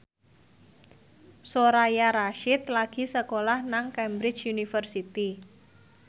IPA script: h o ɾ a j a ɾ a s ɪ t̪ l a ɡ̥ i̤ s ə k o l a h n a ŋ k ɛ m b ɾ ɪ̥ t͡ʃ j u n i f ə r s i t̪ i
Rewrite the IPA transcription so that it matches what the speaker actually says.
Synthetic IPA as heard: s o ɾ a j a ɾ a ʃ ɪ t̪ l a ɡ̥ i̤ s ə k o l a h n a ŋ k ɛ m b ɾ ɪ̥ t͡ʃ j u n i f ə r s i t̪ i

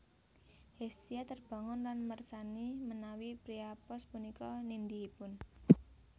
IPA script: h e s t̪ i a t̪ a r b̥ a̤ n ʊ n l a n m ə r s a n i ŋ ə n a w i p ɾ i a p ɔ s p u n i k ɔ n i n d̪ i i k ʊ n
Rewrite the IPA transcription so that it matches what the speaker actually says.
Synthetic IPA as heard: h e s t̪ i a t̪ ə r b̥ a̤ ŋ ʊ n l a n m ə r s a n i m ə n a w i p ɾ i a p ɔ s p u n i k ɔ n i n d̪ i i p ʊ n

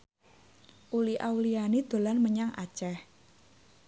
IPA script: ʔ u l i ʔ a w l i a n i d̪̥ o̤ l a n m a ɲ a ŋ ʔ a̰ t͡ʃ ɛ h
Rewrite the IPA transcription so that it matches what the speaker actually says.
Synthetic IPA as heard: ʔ u l i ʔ a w l i a n i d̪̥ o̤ l a n m ə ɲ a ŋ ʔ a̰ t͡ʃ ɛ h

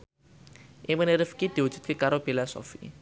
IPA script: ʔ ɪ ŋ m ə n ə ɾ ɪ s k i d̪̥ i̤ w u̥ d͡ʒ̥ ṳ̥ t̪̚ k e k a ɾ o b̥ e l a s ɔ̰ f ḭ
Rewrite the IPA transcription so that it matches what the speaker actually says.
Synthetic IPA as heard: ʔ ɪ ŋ m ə n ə ɾ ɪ f k i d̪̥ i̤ w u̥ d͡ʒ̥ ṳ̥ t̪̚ k e k a ɾ o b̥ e l a s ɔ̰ f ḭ

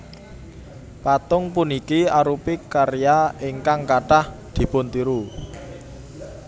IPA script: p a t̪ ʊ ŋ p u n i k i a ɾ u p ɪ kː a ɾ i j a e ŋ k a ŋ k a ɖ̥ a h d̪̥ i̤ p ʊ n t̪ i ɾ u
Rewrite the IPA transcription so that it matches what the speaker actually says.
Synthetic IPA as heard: p a t̪ ʊ ŋ p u n i k i a ɾ u p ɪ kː a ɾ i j a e ŋ k a ŋ k a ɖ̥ a h d̪̥ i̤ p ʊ n t̪ i ɾ u

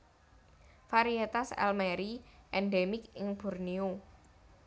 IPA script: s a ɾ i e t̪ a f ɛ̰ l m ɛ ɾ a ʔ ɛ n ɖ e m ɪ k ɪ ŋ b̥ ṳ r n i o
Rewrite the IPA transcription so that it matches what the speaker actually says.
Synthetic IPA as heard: f a ɾ i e t̪ a s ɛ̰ l m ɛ ɾ i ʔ ɛ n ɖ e m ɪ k ɪ ŋ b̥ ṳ r n i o

